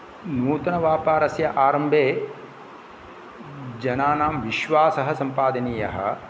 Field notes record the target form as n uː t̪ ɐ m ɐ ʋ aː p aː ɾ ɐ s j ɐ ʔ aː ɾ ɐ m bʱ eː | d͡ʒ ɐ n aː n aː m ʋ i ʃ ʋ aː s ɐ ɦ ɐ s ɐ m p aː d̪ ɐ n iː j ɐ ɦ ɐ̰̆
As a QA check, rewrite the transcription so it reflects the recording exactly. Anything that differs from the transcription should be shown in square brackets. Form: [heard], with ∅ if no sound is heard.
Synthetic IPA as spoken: n uː t̪ ɐ [n] ɐ ʋ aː p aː ɾ ɐ s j ɐ ʔ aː ɾ ɐ m bʱ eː | d͡ʒ ɐ n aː n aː m ʋ i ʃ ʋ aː s ɐ ɦ ɐ s ɐ m p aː d̪ ɐ n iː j ɐ ɦ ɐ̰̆

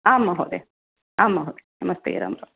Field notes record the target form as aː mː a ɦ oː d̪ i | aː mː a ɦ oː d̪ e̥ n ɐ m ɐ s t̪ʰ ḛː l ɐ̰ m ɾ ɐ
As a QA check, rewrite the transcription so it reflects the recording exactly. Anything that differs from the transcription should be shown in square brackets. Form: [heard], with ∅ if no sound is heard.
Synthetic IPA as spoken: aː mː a ɦ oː d̪ [e] | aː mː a ɦ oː d̪ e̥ n ɐ m ɐ s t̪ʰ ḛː [ɾ] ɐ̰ m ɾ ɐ

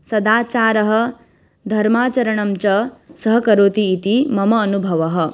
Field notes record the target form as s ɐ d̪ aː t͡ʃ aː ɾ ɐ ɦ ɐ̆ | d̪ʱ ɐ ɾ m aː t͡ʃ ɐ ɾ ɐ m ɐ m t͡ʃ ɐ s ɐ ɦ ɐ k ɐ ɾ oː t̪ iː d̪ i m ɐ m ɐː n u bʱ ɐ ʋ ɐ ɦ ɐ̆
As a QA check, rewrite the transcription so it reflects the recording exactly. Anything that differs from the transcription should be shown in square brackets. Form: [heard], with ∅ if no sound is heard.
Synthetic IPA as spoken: s ɐ d̪ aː t͡ʃ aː ɾ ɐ ɦ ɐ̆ | d̪ʱ ɐ ɾ m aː t͡ʃ ɐ ɾ ɐ [ɳ] ɐ m t͡ʃ ɐ s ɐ ɦ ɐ k ɐ ɾ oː t̪ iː [t̪] i m ɐ m ɐː n u bʱ ɐ ʋ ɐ ɦ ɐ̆

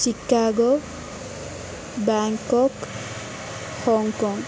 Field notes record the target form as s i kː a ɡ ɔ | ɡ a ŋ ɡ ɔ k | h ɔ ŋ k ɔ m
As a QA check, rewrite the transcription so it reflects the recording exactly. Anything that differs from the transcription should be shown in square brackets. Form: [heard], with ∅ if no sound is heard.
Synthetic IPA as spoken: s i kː a ɡ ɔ | [b] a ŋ [k] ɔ k | h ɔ ŋ k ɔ [ŋ]

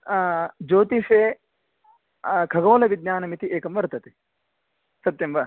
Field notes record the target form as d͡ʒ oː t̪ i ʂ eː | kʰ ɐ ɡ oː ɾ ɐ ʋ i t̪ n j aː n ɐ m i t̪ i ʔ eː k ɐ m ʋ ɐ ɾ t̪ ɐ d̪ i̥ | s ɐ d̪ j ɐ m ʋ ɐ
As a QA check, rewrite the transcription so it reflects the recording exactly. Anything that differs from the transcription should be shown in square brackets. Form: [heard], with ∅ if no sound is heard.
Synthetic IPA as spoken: d͡ʒ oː t̪ i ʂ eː | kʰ ɐ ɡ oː [l] ɐ ʋ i [d̪] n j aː n ɐ m i t̪ i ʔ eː k ɐ m ʋ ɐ ɾ t̪ ɐ [t̪] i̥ | s ɐ [t̪] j ɐ m ʋ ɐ

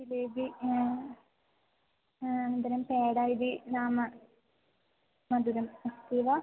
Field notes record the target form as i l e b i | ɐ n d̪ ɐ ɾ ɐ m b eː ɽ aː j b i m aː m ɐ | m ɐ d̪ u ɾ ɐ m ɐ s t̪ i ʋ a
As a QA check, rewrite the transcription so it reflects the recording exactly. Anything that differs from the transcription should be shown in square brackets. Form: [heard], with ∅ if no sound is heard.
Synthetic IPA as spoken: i l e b i | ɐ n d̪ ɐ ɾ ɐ m [p] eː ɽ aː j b i [n] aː m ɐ | m ɐ d̪ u ɾ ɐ m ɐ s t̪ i ʋ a

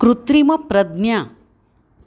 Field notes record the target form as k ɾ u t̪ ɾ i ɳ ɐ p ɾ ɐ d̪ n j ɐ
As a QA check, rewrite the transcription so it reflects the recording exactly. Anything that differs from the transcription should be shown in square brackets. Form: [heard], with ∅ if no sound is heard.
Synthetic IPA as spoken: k ɾ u t̪ ɾ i [m] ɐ p ɾ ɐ d̪ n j [a]

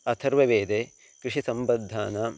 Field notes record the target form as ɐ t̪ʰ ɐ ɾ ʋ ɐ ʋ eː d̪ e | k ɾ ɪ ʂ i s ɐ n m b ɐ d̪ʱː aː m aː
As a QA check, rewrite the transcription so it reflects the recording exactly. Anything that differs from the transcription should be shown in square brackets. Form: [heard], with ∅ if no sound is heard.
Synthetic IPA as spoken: ɐ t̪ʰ ɐ ɾ ʋ ɐ ʋ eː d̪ e | k ɾ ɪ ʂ i s ɐ [∅] m b ɐ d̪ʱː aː [n] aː

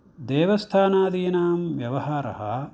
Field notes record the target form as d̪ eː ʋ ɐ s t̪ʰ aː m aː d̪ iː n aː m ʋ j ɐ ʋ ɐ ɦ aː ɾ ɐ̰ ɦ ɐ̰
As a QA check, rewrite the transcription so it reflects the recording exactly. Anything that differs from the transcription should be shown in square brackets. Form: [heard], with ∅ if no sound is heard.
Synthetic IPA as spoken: d̪ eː ʋ ɐ s t̪ʰ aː [n] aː d̪ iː n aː m ʋ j ɐ ʋ ɐ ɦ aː ɾ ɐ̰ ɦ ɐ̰

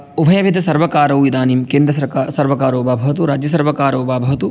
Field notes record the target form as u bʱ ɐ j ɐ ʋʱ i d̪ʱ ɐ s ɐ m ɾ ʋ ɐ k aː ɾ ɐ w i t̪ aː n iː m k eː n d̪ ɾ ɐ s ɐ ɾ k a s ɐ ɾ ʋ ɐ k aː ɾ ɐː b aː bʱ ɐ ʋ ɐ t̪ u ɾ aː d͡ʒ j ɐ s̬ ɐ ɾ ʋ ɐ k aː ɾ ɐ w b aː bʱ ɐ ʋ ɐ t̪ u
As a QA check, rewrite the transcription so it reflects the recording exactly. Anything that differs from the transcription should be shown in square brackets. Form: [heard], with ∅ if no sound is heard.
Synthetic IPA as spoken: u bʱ ɐ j ɐ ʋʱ i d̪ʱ ɐ s ɐ [∅] ɾ ʋ ɐ k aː ɾ ɐ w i [d̪] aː n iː m k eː n d̪ ɾ ɐ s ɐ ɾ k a s ɐ ɾ ʋ ɐ k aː ɾ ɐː b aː bʱ ɐ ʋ ɐ t̪ u ɾ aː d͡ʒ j ɐ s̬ ɐ ɾ ʋ ɐ k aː ɾ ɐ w b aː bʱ ɐ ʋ ɐ t̪ u

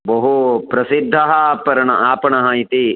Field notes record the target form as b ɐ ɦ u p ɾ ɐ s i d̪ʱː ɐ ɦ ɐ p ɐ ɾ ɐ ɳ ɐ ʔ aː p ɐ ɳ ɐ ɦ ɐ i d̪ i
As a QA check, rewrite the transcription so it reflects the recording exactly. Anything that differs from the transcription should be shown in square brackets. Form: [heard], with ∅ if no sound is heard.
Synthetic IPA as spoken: b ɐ ɦ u p ɾ ɐ s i d̪ʱː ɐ ɦ ɐ p ɐ ɾ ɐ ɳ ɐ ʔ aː p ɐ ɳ ɐ ɦ ɐ i [t̪] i

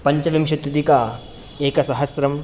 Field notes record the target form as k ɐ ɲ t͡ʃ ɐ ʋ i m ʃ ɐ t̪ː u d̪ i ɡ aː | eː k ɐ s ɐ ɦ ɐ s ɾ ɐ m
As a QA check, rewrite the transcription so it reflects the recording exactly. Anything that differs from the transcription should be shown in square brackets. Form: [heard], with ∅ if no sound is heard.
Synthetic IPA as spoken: [p] ɐ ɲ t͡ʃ ɐ ʋ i m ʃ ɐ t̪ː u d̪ i [k] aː | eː k ɐ s ɐ ɦ ɐ s ɾ ɐ m

